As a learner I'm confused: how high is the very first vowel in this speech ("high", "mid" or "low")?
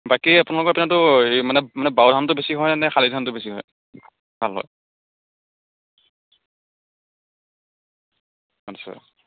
low